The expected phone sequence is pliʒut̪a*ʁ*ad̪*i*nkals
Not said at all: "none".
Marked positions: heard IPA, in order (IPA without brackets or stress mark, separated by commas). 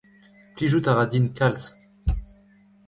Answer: ʁ, i